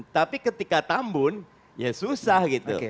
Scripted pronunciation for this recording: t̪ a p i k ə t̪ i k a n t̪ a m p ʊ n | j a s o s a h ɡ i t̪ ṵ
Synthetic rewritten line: t̪ a p i k ə t̪ i k a t̪ a m b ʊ n | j a s u s a h ɡ i t̪ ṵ